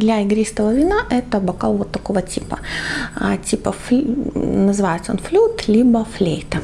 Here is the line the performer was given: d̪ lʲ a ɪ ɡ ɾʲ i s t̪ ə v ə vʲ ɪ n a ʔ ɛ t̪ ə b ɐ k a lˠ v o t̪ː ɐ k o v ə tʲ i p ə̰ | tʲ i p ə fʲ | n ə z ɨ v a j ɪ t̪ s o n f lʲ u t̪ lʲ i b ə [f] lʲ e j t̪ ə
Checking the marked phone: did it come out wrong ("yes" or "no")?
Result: no